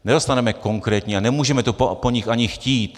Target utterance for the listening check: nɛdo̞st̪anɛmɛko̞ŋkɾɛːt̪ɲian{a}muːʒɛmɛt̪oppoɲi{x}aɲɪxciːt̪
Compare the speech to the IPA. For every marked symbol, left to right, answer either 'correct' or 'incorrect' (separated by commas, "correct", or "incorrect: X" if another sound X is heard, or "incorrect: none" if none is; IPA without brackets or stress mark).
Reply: incorrect: ɛ, correct